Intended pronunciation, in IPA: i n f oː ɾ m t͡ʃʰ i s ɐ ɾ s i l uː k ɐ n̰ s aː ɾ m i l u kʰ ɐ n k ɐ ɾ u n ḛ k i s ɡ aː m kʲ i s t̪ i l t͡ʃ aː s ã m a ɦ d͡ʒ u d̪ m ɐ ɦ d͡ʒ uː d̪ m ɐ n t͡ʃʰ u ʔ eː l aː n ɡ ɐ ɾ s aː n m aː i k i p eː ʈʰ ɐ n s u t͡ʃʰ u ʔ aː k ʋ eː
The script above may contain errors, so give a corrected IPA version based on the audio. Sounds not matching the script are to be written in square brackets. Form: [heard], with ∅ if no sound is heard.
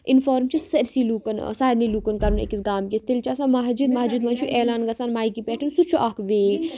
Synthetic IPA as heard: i n f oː ɾ m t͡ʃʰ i s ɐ ɾ s i l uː k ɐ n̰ s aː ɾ [n] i l u [k] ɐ n k ɐ ɾ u n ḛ k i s ɡ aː m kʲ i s t̪ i l t͡ʃ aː s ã m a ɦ d͡ʒ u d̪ m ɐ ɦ d͡ʒ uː d̪ m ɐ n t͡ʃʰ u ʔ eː l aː n ɡ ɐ [∅] s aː n m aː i k i p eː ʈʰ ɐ n s u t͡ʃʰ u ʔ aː k ʋ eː